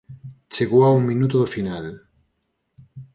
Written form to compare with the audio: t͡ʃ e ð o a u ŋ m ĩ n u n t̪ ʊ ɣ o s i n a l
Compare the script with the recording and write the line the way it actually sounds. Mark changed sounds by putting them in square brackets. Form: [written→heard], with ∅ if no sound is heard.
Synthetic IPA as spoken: t͡ʃ e [ð→ɣ] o a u ŋ m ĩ n u [n→∅] t̪ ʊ [ɣ→ð] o [s→f] i n a l